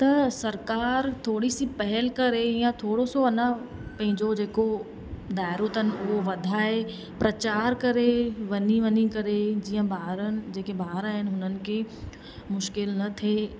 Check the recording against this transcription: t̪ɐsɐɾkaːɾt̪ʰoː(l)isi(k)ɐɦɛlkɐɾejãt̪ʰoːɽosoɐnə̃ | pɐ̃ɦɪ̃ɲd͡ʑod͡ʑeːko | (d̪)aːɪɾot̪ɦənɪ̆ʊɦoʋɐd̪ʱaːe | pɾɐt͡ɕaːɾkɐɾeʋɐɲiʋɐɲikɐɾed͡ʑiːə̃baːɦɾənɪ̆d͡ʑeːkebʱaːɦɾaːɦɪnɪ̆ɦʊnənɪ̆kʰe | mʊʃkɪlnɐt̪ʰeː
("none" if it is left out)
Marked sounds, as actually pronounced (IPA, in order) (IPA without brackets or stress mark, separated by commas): ɽ, p, d̪